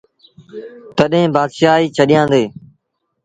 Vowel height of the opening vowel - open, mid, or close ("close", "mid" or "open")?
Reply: mid